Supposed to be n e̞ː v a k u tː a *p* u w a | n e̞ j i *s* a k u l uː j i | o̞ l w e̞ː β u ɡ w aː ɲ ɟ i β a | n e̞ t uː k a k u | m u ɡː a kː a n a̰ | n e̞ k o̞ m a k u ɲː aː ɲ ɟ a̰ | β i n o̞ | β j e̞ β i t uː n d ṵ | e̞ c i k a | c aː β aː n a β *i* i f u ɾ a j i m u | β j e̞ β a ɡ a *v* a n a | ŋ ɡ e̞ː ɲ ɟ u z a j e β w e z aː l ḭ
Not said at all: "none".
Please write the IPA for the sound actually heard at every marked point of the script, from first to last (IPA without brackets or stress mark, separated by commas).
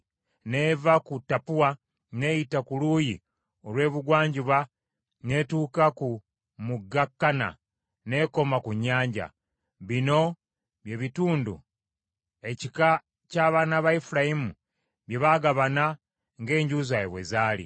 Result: p, t, a, β